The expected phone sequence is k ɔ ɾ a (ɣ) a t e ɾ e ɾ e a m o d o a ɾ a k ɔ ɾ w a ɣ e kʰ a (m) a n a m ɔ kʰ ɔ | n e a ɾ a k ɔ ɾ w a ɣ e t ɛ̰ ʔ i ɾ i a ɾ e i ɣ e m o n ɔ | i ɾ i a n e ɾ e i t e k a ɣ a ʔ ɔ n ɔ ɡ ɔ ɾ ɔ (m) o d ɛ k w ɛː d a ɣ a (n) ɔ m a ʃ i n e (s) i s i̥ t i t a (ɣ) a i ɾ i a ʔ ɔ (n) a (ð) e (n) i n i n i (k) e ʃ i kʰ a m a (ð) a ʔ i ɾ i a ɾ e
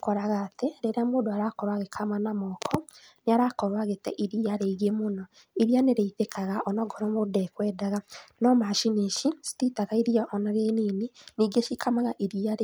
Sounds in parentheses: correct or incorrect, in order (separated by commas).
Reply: correct, correct, correct, correct, incorrect, correct, correct, incorrect, correct, incorrect, incorrect